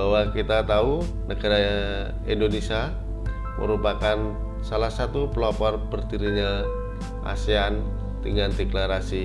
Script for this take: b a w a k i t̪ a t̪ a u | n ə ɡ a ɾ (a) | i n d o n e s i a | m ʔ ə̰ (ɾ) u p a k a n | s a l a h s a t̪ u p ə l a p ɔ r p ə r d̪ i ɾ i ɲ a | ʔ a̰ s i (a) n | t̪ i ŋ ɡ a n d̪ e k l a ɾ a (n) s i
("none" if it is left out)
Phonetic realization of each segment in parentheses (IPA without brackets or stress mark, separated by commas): a, ɾ, a, none